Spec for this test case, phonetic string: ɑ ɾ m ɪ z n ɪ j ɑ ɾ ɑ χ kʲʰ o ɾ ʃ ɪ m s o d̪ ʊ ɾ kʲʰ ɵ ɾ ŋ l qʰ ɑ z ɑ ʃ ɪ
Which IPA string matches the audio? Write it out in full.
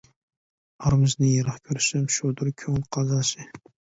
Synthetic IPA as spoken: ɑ ɾ m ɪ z n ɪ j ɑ ɾ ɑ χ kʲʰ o ɾ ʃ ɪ m ʃ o d̪ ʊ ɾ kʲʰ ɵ ŋ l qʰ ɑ z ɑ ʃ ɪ